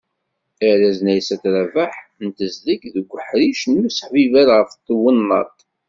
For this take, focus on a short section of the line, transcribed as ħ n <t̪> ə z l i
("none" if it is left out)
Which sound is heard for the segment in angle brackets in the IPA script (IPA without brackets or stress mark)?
t̪